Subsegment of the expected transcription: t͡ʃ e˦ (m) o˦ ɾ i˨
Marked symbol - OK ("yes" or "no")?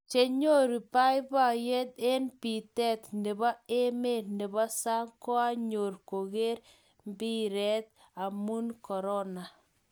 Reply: no